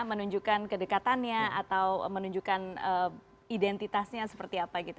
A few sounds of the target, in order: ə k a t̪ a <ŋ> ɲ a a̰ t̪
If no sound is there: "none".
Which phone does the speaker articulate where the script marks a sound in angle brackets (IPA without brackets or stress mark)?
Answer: n